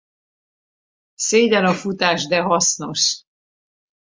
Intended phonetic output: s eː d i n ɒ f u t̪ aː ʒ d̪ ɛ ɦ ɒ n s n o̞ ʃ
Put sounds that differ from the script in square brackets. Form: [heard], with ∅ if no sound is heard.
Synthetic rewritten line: s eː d [ɛ] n ɒ f u t̪ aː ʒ d̪ ɛ ɦ ɒ [∅] s n o̞ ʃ